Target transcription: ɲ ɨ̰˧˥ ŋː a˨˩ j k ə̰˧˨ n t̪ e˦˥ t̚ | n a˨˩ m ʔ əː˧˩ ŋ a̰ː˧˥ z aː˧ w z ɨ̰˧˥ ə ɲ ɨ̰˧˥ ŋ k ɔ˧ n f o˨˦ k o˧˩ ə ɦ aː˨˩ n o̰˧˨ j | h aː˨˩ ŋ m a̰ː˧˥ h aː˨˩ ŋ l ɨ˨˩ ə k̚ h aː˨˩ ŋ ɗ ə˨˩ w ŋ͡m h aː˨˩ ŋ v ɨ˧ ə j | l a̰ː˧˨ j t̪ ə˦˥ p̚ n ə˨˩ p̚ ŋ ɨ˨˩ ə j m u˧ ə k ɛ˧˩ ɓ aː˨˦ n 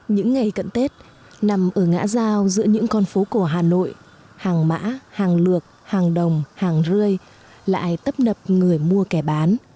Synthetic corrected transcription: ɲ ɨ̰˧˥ ŋː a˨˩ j k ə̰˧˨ n t̪ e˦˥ t̚ | n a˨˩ m ʔ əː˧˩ ŋ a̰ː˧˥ z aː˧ w z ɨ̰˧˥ ə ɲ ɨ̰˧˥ ŋ k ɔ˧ n f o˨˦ k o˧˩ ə ɦ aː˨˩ n o̰˧˨ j | h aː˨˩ ŋ m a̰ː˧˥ h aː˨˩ ŋ l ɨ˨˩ ə k̚ h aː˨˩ ŋ ɗ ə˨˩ w ŋ͡m h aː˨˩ ŋ z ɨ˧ ə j | l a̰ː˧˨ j t̪ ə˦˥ p̚ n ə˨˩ p̚ ŋ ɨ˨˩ ə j m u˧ ə k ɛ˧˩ ɓ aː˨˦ n